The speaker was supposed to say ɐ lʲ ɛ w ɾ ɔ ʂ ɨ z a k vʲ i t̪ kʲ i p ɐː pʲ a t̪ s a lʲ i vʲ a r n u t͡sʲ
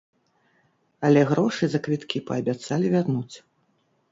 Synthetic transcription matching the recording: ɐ lʲ ɛ ɣ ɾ ɔ ʂ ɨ z ɐ k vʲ i t̪ kʲ i p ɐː bʲ a t̪ s a lʲ i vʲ a r n u t͡sʲ

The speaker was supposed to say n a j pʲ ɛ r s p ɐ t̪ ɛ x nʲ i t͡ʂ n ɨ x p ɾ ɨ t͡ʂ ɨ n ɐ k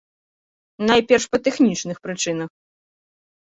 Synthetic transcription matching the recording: n a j pʲ ɛ r ʂ p ɐ t̪ ɛ x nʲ i t͡ʂ n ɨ x p ɾ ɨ t͡ʂ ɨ n ɐ x

